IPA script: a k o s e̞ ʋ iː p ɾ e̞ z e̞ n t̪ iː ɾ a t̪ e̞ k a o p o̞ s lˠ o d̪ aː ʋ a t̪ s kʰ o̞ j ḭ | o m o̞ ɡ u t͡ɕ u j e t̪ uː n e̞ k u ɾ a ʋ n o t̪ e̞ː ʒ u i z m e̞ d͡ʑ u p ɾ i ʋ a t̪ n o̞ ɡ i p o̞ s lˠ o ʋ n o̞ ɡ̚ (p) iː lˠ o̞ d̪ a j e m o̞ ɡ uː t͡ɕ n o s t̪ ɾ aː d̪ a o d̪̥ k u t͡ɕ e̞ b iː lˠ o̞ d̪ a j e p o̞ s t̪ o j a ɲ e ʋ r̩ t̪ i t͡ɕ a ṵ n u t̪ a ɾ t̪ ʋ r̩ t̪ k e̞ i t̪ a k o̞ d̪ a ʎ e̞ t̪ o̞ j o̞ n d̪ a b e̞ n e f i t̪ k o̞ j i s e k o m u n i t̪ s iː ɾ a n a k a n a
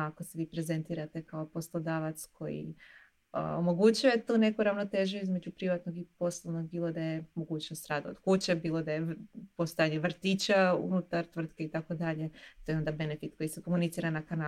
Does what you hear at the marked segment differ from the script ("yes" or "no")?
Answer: yes